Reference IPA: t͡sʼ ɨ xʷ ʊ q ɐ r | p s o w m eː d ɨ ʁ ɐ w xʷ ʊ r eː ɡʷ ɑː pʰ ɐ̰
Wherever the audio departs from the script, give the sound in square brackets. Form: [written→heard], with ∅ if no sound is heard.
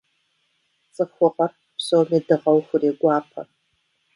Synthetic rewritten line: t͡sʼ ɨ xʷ ʊ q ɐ r | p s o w m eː d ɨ ʁ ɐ w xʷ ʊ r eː ɡʷ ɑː pʰ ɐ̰